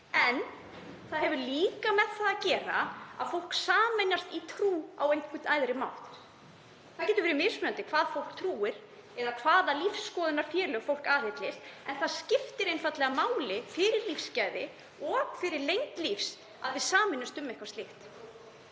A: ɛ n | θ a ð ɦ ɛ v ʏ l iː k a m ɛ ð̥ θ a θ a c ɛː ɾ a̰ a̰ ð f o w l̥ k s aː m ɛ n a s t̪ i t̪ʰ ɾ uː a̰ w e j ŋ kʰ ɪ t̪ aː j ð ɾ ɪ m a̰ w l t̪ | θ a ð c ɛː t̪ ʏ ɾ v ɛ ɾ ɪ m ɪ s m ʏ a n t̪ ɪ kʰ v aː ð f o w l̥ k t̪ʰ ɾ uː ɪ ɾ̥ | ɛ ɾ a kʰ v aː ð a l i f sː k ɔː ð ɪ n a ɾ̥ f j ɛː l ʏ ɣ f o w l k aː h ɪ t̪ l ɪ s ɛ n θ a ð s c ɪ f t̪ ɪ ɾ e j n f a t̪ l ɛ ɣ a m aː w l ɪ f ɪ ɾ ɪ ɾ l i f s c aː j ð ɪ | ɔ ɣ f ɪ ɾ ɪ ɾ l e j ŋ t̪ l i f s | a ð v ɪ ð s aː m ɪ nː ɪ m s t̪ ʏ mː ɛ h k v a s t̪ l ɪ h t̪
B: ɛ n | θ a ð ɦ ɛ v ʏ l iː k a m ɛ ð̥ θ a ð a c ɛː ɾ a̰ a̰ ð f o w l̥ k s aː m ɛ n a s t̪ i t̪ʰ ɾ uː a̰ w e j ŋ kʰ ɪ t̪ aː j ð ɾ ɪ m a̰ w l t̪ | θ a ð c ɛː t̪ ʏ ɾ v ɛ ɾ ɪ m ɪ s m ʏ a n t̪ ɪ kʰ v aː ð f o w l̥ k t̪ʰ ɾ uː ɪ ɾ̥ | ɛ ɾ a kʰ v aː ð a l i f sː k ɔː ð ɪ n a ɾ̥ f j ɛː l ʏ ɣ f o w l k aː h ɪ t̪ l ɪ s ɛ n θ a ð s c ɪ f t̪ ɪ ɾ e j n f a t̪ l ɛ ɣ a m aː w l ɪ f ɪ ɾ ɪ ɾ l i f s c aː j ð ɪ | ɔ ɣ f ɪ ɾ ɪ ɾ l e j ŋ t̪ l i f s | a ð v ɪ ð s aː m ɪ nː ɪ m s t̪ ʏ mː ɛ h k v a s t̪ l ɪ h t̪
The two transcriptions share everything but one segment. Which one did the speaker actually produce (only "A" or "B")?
B